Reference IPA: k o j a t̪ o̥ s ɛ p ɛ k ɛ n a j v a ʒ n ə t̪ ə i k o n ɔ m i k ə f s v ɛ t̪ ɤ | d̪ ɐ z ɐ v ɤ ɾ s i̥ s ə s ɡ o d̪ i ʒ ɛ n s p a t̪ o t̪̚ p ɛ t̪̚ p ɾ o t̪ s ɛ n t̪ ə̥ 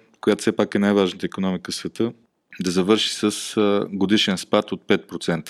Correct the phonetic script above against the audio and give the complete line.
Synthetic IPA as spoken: k o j a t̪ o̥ s ɛ p a k ɛ n a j v a ʒ n ə t̪ ə i k o n ɔ m i k ə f s v ɛ t̪ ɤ | d̪ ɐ z ɐ v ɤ ɾ ʃ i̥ s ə s ɡ o d̪ i ʃ ɛ n s p a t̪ o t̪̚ p ɛ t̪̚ p ɾ o t̪ s ɛ n t̪ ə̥